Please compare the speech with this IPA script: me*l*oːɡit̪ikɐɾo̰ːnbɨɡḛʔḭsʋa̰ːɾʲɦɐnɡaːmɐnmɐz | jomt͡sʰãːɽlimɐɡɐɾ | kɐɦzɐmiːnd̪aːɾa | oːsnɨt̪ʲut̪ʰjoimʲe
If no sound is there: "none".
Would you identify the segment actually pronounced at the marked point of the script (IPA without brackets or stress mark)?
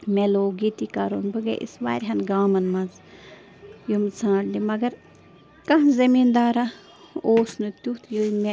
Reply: l